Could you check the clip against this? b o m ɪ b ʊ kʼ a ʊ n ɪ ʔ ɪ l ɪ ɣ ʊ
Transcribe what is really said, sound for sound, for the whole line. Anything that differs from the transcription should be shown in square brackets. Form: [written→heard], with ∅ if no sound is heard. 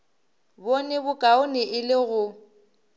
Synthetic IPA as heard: b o [m→n] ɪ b ʊ kʼ a ʊ n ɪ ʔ ɪ l ɪ ɣ ʊ